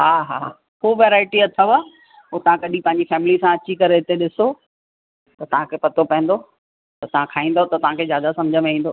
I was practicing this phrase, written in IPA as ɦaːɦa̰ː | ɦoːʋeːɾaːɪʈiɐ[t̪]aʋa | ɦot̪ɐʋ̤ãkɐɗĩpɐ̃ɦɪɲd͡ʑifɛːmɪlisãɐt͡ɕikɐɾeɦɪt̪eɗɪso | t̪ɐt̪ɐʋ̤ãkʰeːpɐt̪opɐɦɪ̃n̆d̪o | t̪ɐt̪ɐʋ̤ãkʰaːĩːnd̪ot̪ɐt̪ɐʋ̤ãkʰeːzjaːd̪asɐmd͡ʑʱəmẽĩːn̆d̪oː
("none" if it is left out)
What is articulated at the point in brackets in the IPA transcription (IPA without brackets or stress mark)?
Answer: t̪ʰ